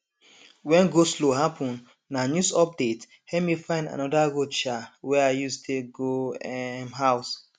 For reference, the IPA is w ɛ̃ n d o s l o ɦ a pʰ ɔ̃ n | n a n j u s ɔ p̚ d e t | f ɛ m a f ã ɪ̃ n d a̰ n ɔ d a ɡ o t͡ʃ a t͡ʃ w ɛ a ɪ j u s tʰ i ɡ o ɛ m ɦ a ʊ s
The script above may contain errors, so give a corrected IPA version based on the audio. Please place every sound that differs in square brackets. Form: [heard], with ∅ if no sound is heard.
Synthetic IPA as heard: w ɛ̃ n [ɡ] o s l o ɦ a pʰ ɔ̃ n | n a n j u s ɔ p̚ d e t | [h] ɛ m [i] f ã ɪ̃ n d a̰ n ɔ d a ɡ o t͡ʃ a [∅] w ɛ a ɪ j u s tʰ [e] ɡ o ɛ m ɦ a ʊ s